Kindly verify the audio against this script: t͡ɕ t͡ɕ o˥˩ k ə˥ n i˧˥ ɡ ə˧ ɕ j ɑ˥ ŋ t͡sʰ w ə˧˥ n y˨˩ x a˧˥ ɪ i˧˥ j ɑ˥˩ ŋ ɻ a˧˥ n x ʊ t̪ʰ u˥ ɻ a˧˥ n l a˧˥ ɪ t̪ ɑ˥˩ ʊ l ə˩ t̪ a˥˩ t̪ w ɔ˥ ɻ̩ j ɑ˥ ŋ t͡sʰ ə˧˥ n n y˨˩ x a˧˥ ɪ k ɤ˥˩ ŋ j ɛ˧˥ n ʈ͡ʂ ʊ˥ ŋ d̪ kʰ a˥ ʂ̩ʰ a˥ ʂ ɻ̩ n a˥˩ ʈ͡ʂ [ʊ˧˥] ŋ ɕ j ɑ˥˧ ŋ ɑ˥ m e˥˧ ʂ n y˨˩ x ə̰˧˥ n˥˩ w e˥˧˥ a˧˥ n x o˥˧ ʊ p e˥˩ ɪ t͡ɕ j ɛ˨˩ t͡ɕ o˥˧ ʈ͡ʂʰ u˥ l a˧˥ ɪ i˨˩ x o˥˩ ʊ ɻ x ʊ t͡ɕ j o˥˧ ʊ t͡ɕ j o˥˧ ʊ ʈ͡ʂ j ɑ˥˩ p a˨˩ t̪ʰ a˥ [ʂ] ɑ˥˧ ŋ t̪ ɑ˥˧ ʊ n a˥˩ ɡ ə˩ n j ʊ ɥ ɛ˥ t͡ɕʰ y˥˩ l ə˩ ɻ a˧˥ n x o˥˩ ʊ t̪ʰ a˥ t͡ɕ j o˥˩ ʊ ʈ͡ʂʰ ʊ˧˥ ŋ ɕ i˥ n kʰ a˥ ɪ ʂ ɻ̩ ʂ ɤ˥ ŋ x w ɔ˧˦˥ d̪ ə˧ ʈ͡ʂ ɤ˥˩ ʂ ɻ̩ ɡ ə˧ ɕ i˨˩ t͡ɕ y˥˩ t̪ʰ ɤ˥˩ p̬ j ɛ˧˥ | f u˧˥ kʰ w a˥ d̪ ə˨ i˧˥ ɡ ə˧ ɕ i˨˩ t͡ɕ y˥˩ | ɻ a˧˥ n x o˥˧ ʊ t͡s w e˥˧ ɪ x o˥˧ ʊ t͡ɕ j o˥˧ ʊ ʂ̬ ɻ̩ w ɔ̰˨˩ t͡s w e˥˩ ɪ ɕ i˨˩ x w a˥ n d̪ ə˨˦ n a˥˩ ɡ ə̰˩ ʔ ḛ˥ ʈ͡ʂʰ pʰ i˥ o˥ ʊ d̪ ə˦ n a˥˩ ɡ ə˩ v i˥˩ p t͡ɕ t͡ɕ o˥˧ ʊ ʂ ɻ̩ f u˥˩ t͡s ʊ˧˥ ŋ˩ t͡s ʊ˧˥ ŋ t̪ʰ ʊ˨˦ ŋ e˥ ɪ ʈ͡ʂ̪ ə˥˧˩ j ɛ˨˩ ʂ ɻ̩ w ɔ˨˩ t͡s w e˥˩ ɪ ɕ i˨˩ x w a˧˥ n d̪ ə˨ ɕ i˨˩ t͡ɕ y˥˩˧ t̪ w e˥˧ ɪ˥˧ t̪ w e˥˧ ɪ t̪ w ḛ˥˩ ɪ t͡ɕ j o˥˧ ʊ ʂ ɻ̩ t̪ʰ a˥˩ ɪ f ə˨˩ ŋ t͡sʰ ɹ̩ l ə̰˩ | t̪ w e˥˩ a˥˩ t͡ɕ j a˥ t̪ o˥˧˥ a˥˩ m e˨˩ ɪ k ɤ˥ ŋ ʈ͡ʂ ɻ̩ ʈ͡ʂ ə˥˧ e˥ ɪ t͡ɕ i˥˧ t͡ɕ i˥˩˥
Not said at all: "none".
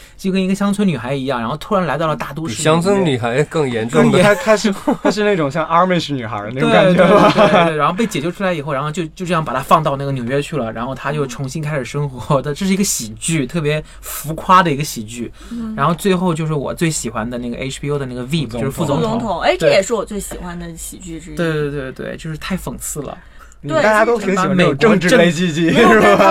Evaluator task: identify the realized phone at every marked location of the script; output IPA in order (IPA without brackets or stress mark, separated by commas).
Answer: ʊ˨˩, f